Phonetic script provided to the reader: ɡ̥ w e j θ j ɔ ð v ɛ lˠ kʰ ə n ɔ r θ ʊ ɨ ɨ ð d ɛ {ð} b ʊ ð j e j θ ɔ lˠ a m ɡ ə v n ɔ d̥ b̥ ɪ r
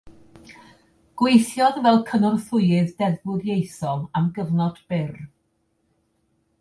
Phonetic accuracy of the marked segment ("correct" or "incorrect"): correct